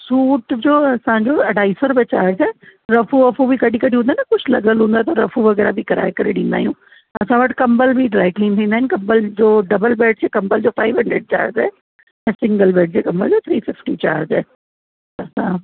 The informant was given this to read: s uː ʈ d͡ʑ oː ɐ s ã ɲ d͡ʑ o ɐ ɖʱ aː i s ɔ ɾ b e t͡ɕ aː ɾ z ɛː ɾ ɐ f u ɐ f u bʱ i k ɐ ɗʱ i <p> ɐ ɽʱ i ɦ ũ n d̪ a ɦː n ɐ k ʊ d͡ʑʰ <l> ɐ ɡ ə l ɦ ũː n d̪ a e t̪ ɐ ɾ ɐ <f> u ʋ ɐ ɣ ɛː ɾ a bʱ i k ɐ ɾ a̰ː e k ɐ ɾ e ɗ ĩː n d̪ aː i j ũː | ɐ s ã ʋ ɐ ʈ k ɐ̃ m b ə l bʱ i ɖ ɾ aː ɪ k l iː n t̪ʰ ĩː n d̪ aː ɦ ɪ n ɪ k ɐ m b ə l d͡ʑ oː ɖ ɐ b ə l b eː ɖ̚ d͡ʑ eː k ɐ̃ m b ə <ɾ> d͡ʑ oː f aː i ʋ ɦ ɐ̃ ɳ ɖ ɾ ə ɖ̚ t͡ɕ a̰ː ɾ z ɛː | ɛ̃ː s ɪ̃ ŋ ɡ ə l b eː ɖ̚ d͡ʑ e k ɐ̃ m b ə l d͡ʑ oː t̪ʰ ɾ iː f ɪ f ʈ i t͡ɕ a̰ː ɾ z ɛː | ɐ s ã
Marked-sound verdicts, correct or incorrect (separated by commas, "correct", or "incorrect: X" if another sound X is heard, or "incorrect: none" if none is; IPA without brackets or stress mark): incorrect: k, correct, correct, incorrect: l